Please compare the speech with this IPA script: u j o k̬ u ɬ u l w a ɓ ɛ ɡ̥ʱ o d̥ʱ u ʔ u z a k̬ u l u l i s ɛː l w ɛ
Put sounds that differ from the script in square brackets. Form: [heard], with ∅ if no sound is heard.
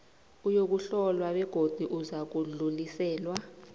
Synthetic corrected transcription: u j o k̬ u ɬ [ɔ] l w a ɓ ɛ ɡ̥ʱ o d̥ʱ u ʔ u z a k̬ u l u l i s ɛː l w [a]